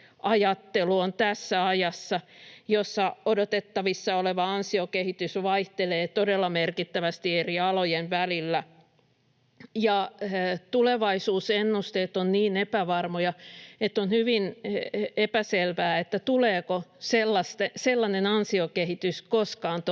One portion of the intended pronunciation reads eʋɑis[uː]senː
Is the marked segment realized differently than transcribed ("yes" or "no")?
no